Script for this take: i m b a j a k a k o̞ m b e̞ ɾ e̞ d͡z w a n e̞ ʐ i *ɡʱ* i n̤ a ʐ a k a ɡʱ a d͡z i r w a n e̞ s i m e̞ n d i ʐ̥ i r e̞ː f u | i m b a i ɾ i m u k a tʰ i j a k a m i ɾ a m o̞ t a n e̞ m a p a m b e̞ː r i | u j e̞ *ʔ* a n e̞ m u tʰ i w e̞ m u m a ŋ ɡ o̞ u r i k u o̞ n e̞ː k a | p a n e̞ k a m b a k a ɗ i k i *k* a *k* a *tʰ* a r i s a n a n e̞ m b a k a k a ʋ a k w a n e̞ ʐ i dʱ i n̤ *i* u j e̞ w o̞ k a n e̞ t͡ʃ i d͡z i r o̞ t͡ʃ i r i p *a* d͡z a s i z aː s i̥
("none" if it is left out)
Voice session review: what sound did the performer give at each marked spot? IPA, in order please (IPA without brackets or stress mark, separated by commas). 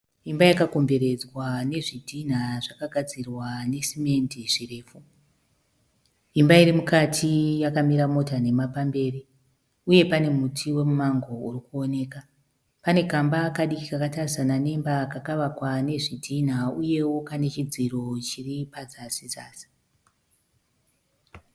dʱ, p, k, k, t, a, a